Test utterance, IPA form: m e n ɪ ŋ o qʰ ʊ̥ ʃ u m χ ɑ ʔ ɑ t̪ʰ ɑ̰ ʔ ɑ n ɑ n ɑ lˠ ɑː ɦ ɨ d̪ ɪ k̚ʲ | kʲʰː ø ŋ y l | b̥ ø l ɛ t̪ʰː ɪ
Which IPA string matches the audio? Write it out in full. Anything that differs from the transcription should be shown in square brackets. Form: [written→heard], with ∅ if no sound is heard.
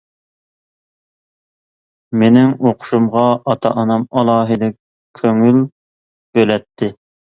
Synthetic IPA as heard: m e n ɪ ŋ o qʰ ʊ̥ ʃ u m [χ→ʁ] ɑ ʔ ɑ t̪ʰ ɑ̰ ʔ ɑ n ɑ [n→m] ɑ lˠ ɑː ɦ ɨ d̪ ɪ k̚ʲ | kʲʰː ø ŋ y l | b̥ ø l ɛ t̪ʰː ɪ